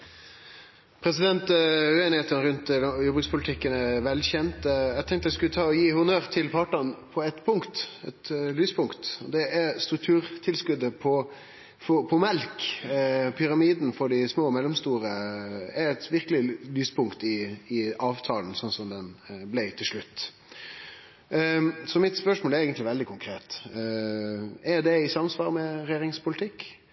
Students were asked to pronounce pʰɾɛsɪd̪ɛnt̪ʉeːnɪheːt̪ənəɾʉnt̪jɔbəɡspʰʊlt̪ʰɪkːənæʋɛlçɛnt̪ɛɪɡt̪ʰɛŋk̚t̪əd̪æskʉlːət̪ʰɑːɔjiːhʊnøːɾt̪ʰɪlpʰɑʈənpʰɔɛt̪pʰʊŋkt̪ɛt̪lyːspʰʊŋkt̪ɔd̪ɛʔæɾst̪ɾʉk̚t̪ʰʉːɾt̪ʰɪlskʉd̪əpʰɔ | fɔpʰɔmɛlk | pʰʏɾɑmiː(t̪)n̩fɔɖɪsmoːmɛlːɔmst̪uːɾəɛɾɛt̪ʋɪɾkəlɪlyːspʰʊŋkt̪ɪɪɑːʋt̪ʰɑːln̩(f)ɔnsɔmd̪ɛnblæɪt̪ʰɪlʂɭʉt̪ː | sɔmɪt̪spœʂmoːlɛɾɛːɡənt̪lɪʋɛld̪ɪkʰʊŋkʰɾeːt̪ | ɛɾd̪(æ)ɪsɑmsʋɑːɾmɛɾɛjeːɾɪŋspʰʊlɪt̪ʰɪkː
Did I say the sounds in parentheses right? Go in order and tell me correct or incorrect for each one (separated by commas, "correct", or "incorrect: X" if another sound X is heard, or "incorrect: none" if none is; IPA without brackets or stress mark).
incorrect: d̪, incorrect: s, incorrect: ɛ